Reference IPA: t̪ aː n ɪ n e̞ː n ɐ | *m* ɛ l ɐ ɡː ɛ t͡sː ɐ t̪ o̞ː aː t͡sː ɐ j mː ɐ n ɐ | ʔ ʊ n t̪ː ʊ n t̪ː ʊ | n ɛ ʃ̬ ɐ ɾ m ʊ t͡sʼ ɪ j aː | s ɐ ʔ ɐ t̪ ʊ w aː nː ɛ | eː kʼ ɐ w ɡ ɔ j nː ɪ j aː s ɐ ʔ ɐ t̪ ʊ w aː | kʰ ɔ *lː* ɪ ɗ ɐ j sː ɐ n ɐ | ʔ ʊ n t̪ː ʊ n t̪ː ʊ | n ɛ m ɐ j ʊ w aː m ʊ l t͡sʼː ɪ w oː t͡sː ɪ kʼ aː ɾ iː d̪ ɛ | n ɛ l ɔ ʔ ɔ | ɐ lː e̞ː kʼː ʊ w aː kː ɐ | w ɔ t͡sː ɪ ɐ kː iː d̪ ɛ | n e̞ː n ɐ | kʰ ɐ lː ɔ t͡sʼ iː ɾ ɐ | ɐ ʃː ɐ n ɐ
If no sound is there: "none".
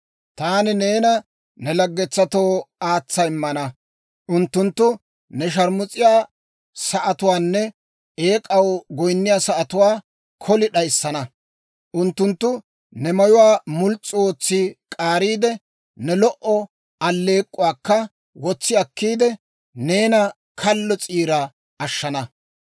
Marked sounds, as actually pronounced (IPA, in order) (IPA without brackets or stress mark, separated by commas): n, l